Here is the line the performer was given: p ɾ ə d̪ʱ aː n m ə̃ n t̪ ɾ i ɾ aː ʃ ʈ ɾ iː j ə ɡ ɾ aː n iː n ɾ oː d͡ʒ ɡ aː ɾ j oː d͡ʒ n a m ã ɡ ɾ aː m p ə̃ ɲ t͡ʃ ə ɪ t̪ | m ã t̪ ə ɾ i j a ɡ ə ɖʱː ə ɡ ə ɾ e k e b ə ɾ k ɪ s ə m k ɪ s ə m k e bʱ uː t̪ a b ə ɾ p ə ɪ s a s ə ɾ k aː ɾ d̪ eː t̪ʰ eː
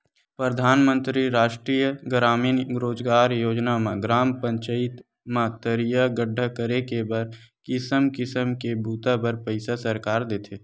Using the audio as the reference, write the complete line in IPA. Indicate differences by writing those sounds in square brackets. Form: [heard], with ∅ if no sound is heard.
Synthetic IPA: p ɾ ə d̪ʱ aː n m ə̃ n t̪ ɾ i ɾ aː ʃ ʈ ɾ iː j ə ɡ ɾ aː [m] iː n ɾ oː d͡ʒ ɡ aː ɾ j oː d͡ʒ n a m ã ɡ ɾ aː m p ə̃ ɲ t͡ʃ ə ɪ t̪ | m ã t̪ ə ɾ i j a ɡ ə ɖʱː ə [k] ə ɾ e k e b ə ɾ k ɪ s ə m k ɪ s ə m k e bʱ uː t̪ a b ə ɾ p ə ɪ s a s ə ɾ k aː ɾ d̪ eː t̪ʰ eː